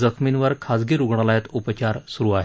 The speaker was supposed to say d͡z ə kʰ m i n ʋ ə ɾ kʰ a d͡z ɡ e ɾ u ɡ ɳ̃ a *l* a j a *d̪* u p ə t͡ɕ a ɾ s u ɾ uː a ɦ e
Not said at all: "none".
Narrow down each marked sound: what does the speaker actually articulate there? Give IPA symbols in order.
l, t̪

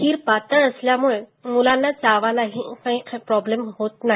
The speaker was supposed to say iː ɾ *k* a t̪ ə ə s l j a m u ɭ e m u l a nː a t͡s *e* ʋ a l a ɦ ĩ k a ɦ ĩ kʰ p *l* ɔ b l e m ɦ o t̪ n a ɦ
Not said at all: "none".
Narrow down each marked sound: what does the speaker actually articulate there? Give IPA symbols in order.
p, a, ɾ

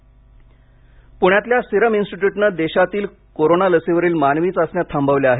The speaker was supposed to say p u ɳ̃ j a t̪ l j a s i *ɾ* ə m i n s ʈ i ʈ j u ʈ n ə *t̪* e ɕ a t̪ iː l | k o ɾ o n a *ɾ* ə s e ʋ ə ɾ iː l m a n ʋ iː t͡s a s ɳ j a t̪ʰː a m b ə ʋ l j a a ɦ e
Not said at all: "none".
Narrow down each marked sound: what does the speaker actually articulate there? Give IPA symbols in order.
ɾ, d̪, l

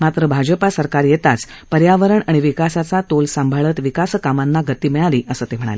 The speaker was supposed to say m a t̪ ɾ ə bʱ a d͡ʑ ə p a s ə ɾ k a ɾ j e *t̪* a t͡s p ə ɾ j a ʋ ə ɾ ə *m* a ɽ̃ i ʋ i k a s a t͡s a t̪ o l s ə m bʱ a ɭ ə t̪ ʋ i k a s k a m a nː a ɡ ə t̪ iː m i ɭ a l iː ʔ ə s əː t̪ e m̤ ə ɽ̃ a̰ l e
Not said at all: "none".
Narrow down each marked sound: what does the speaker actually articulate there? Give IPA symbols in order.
t̪, ɳ

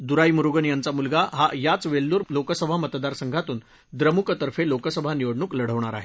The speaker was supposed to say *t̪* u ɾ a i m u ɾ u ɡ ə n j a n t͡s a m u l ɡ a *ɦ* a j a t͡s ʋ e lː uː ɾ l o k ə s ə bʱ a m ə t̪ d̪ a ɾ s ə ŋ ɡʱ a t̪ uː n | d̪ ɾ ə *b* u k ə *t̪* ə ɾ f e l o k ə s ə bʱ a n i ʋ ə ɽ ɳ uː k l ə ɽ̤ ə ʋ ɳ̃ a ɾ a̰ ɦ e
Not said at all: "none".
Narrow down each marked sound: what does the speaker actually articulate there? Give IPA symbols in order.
d̪, ɦ, m, t̪

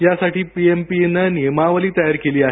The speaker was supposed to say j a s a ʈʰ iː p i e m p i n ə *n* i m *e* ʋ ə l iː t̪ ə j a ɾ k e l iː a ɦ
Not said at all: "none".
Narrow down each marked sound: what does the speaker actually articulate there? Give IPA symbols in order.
n, a

